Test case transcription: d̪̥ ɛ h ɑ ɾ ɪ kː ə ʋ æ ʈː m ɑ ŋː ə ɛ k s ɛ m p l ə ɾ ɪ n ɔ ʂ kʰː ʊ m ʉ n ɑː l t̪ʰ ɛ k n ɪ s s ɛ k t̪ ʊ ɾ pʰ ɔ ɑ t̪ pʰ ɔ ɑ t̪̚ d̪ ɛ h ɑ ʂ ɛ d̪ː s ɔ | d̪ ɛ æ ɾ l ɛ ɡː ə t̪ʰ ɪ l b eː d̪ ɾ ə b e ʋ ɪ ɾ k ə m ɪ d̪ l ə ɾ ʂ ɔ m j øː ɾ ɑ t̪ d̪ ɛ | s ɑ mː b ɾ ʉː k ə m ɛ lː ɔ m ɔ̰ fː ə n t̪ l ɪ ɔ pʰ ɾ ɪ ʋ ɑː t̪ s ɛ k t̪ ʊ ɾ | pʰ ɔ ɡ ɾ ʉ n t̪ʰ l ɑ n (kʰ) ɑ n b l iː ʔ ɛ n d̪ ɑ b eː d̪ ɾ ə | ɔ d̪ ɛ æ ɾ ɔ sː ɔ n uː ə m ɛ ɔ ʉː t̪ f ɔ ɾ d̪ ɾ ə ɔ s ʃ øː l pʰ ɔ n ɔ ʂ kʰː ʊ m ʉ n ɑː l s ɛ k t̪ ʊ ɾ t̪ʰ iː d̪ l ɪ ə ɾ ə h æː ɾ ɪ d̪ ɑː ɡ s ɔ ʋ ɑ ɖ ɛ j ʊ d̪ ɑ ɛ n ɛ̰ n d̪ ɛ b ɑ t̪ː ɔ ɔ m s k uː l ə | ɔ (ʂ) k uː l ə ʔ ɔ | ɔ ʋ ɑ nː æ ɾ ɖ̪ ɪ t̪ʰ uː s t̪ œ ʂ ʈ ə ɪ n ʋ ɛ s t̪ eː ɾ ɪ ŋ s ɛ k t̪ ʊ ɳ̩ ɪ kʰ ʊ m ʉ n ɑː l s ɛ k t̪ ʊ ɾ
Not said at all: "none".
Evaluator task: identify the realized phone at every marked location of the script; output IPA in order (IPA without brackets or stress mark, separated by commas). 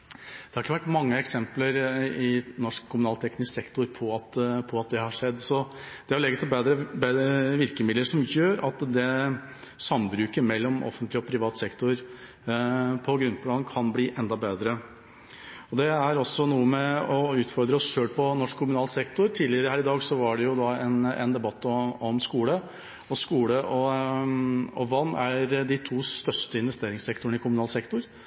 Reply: kʰ, s